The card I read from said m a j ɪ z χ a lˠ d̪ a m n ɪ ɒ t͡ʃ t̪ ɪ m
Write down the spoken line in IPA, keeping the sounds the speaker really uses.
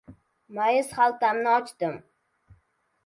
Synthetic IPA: m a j ɪ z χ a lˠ t̪ a m n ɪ ɒ t͡ʃ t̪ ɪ m